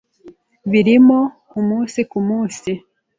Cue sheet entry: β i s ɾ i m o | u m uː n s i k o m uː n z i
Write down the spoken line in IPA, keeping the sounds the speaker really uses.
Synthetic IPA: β i ɾ i m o | u m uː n s i k u m uː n s i